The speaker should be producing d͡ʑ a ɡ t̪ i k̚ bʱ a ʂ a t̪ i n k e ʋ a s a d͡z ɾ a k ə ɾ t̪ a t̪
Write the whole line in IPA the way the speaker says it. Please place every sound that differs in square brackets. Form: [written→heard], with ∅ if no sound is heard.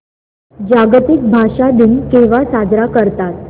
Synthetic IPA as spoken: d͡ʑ a ɡ t̪ i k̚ bʱ a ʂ a [t̪→d̪] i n k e ʋ a s a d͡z ɾ a k ə ɾ t̪ a t̪